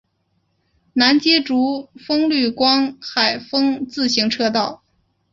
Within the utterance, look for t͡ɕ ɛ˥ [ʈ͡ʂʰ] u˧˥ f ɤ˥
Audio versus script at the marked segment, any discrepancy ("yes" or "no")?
yes